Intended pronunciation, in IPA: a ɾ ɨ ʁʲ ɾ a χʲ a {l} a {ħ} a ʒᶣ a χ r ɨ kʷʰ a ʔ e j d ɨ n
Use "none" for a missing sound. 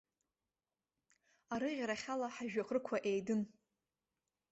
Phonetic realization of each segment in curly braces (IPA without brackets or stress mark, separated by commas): l, ħ